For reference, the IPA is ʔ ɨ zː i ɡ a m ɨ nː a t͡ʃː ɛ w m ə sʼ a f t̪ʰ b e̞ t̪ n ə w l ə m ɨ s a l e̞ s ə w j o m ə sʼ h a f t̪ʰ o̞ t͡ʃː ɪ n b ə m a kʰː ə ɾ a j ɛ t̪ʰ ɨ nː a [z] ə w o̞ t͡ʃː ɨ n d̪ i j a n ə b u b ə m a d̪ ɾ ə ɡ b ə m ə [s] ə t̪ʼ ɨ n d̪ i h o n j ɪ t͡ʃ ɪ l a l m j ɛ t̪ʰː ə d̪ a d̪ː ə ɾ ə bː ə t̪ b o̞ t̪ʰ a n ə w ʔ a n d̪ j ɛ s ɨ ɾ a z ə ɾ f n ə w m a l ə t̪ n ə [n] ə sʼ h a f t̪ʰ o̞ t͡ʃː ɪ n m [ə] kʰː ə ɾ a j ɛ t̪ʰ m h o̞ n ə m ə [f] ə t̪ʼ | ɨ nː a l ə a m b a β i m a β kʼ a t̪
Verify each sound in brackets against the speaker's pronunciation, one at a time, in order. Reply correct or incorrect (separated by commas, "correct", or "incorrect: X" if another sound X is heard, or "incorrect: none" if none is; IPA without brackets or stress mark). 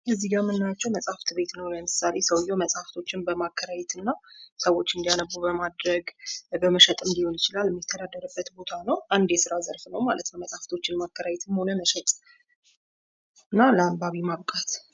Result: incorrect: s, incorrect: ʃ, incorrect: m, incorrect: a, incorrect: ʃ